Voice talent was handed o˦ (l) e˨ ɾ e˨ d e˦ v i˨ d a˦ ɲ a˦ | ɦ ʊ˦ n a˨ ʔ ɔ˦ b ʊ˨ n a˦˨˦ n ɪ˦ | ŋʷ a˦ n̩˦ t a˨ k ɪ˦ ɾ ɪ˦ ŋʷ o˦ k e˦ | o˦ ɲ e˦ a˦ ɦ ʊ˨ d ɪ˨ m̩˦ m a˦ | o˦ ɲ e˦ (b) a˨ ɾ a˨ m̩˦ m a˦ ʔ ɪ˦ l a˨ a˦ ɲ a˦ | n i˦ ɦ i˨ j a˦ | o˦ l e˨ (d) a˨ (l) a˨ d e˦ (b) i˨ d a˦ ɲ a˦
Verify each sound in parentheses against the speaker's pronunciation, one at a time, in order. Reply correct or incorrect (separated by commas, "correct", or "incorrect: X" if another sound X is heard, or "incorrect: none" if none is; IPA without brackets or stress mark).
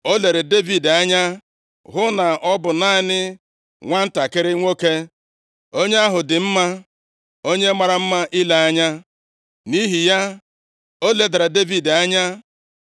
correct, incorrect: m, correct, incorrect: ɾ, incorrect: v